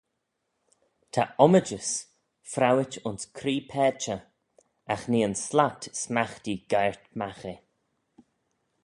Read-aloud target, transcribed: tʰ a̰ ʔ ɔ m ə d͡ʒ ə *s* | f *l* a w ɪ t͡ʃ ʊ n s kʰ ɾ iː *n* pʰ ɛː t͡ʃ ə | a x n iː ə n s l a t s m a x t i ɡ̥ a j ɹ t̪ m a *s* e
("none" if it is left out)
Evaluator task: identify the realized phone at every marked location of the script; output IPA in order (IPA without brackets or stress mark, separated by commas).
s, ɾ, none, x